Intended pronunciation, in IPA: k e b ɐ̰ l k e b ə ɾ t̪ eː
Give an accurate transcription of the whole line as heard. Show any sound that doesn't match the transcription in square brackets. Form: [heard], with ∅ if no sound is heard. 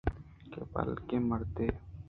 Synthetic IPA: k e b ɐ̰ l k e [m] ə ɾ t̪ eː